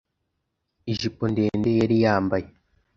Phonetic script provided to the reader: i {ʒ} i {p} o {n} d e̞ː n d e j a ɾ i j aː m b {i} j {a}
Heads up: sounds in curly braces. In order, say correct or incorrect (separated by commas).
correct, correct, correct, incorrect, incorrect